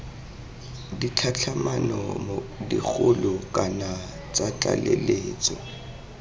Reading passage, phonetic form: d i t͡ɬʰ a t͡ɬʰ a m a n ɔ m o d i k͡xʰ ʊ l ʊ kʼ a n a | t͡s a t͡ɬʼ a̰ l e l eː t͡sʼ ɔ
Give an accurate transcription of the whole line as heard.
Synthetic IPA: d i t͡ɬʰ a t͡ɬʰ a m a n ɔ m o d i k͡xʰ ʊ l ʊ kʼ a n a | t͡s a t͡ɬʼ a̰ l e l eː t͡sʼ ɔ